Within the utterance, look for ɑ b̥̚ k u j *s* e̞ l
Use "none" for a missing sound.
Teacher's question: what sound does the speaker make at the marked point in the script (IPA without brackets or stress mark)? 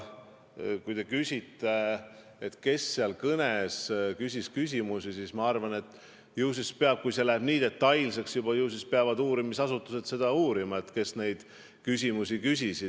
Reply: s